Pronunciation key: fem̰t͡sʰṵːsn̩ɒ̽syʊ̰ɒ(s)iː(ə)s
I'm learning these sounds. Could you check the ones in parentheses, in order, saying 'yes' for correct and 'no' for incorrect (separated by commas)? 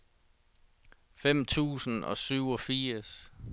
no, no